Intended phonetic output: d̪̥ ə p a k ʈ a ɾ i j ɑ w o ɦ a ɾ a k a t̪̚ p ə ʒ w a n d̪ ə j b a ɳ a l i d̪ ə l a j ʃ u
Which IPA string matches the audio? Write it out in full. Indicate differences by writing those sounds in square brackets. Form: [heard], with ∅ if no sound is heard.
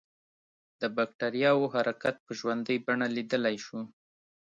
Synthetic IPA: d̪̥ ə [b] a k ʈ a ɾ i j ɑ w o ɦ a ɾ a k a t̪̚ p ə ʒ w a n d̪ ə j b a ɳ a l i d̪ ə l a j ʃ u